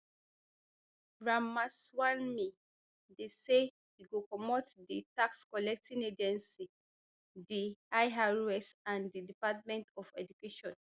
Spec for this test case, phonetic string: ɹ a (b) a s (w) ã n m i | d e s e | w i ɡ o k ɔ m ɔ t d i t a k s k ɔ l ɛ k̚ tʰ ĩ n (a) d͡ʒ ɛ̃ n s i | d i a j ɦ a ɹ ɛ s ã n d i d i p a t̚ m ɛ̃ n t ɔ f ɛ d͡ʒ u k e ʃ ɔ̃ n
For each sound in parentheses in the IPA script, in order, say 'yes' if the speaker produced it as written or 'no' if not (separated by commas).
no, yes, no